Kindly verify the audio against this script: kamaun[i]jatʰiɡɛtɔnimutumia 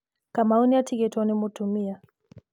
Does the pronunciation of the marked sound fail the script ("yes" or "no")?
no